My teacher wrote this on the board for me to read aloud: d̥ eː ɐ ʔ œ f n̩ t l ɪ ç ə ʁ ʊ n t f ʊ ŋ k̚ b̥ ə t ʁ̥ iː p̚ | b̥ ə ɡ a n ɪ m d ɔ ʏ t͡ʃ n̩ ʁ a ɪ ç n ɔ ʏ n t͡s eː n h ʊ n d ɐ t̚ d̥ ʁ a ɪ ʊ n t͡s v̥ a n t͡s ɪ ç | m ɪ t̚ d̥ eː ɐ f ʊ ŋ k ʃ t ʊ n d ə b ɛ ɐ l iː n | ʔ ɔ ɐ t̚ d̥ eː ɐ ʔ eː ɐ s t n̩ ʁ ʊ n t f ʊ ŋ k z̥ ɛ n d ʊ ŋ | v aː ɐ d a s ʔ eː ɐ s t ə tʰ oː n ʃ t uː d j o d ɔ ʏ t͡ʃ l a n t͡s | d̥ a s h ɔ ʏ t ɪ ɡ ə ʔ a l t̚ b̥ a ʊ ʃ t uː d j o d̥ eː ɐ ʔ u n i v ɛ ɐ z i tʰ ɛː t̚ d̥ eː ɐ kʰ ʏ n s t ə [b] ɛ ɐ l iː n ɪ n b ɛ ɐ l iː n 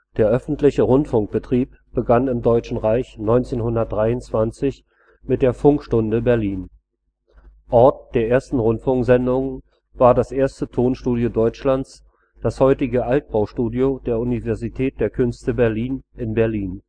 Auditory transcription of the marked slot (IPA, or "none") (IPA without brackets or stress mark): b